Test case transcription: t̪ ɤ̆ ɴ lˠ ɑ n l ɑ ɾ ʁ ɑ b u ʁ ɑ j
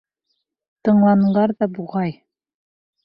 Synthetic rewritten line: t̪ ɤ̆ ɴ lˠ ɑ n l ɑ ɾ ð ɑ b u ʁ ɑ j

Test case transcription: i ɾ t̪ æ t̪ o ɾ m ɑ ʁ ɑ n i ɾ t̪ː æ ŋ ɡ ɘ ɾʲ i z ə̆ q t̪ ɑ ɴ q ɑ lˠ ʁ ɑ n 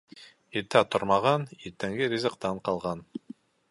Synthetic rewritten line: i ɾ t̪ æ t̪ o ɾ m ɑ ʁ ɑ n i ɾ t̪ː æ ŋ ɡ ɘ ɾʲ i z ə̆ q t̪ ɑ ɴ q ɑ lˠ ʁ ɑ n

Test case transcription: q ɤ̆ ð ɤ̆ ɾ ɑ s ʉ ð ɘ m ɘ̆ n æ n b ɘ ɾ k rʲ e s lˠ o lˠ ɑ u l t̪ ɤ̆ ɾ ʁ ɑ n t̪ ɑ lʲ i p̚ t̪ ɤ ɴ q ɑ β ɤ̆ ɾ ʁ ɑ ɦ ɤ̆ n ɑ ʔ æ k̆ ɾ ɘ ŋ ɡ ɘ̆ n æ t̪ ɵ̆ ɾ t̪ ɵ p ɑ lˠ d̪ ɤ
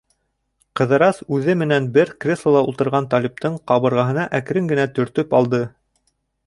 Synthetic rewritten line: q ɤ̆ ð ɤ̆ ɾ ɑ s ʉ ð ɘ m ɘ̆ n æ n b ɘ ɾ k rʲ e s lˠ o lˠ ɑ u l t̪ ɤ̆ ɾ ʁ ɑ n t̪ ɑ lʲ i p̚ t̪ ɤ ɴ q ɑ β ɤ̆ ɾ ʁ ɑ ɦ ɤ̆ n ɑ ʔ æ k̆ ɾ ɘ ŋ ɡ ɘ̆ n æ t̪ ɵ̆ ɾ t̪ ɵ p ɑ lˠ d̪ ɤ

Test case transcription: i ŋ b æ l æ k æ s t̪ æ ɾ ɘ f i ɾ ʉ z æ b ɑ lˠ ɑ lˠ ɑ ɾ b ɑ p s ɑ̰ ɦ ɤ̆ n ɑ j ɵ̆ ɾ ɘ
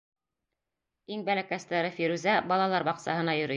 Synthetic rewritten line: i ŋ b æ l æ k æ s t̪ æ ɾ ɘ f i ɾ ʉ z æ b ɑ lˠ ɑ lˠ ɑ ɾ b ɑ q s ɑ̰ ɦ ɤ̆ n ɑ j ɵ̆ ɾ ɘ

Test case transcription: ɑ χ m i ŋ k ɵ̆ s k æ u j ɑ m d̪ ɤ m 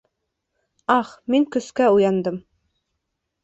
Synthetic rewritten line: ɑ χ m i ŋ k ɵ̆ s k æ u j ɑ n d̪ ɤ m

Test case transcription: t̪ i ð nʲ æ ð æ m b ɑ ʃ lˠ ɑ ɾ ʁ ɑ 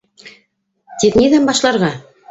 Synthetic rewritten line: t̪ i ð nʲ i ð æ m b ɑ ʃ lˠ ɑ ɾ ʁ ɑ

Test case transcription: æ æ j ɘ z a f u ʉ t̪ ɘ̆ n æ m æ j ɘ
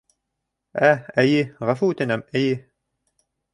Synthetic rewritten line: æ æ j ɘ ʁ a f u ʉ t̪ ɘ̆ n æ m æ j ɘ

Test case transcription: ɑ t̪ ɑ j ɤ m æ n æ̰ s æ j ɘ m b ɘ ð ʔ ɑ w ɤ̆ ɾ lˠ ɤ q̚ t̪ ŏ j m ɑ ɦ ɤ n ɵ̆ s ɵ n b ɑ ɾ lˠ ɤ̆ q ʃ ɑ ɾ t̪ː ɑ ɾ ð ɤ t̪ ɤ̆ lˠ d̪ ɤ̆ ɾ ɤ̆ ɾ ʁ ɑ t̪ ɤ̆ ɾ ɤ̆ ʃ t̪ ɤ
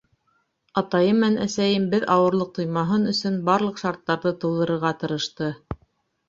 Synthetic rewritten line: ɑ t̪ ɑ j ɤ m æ n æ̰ s æ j ɘ m b ɘ ð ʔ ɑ w ɤ̆ ɾ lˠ ɤ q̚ t̪ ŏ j m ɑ ɦ ɤ n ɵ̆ s ɵ n b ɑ ɾ lˠ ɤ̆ q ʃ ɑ ɾ t̪ː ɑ ɾ ð ɤ t̪ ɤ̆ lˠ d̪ ɤ̆ ɾ ɤ̆ ɾ ʁ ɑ t̪ ɤ̆ ɾ ɤ̆ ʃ t̪ ɤ

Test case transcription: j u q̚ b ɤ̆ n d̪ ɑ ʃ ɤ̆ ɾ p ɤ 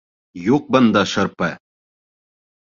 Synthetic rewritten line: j u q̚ b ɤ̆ n d̪ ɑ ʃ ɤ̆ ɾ p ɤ

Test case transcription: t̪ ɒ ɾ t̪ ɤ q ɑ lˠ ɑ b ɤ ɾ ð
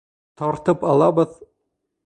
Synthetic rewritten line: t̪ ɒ ɾ t̪ ɤ p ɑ lˠ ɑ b ɤ ð

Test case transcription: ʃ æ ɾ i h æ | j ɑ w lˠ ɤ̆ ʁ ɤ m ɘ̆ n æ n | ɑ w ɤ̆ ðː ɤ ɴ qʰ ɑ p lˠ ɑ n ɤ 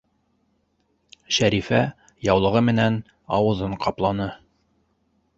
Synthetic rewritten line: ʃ æ ɾ i f æ | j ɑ w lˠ ɤ̆ ʁ ɤ m ɘ̆ n æ n | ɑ w ɤ̆ ð ɤ ɴ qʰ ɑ p lˠ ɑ n ɤ

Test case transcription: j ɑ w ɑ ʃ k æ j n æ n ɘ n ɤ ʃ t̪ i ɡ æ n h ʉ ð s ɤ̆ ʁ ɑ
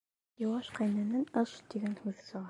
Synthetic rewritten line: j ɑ w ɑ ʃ q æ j n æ n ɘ n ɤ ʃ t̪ i ɡ æ n h ʉ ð s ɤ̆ ʁ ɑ

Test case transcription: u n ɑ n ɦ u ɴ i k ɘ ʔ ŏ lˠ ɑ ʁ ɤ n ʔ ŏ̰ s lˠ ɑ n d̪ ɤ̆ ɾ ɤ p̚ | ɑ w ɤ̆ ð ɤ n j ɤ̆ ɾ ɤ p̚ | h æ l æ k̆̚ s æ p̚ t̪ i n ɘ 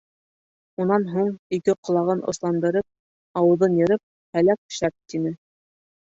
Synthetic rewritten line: u n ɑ n ɦ u ɴ i k ɘ q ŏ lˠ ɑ ʁ ɤ n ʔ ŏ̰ s lˠ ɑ n d̪ ɤ̆ ɾ ɤ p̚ | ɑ w ɤ̆ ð ɤ n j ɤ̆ ɾ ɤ p̚ | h æ l æ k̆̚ ʃ æ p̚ t̪ i n ɘ

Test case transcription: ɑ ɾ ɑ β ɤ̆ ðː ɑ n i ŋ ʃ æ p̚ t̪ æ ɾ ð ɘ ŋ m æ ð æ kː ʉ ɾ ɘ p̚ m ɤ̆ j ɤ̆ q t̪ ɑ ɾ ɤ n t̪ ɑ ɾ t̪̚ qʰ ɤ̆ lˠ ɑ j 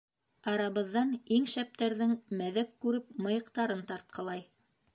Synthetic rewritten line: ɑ ɾ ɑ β ɤ̆ ðː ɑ n i ŋ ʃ æ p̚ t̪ æ ɾ ð ɘ ŋ m æ ð æ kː ʉ ɾ ɘ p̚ m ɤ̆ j ɤ̆ q t̪ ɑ ɾ ɤ n t̪ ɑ ɾ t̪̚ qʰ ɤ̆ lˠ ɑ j

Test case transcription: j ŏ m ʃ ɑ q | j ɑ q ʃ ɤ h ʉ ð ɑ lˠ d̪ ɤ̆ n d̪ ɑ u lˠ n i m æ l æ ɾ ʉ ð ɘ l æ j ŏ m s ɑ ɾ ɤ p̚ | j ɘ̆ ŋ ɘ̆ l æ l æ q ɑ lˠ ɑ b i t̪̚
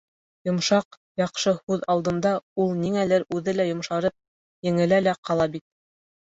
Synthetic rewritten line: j ŏ m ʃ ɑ q | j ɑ q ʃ ɤ h ʉ ð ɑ lˠ d̪ ɤ̆ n d̪ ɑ u lˠ n i ŋ æ l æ ɾ ʉ ð ɘ l æ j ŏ m ʃ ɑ ɾ ɤ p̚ | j ɘ̆ ŋ ɘ̆ l æ l æ q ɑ lˠ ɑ b i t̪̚

